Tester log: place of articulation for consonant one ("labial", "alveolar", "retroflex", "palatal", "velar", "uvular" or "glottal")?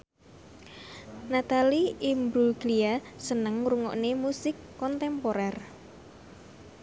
alveolar